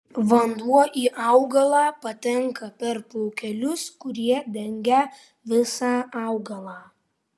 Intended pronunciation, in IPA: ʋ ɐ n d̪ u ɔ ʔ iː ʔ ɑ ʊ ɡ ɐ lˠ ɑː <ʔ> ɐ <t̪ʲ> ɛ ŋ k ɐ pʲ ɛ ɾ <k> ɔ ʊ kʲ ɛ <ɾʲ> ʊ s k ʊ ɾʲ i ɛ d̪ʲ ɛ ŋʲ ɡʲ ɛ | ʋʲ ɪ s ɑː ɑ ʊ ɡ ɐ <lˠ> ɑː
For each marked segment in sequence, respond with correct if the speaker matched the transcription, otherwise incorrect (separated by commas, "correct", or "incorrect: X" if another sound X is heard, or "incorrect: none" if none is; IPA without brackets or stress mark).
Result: incorrect: p, correct, incorrect: p, incorrect: lʲ, correct